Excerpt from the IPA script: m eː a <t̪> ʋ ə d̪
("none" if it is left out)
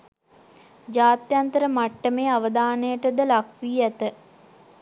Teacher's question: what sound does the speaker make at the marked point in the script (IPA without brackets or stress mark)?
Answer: none